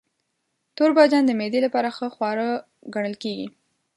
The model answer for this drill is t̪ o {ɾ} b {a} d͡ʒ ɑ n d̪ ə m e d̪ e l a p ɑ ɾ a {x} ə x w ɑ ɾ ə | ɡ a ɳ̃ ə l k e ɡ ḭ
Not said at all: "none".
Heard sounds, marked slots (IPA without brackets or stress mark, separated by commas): ɾ, ɑ, x